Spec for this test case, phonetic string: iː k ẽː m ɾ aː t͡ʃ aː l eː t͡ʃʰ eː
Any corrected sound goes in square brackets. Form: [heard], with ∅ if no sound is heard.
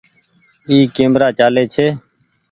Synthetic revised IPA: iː k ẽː m ɾ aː t͡ʃ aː l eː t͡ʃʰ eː